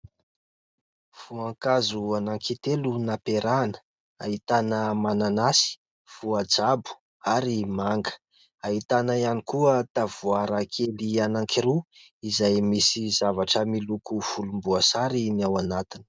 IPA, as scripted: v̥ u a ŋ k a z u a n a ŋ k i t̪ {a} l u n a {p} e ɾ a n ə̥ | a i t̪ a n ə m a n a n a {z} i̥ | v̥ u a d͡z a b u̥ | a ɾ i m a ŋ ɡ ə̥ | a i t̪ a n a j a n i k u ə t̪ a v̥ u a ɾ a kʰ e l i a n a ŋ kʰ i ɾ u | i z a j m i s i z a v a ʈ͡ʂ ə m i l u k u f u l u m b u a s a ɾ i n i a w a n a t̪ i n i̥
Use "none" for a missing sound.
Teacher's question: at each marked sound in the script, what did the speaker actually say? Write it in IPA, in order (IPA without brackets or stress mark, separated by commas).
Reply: e, p, s